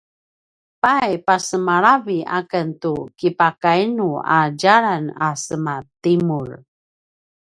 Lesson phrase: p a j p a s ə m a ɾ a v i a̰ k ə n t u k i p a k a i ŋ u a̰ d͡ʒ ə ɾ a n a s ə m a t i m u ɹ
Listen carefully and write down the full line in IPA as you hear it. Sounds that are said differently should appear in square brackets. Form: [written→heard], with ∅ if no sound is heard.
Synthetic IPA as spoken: p a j p a s ə m a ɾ a v i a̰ k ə n t u k i p a k a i [ŋ→n] u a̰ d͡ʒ [ə→a] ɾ a n a s ə m a t i m u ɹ